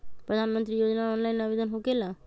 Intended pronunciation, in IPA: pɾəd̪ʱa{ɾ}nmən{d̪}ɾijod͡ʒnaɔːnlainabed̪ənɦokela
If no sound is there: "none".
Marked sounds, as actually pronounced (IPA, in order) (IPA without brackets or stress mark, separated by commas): none, t̪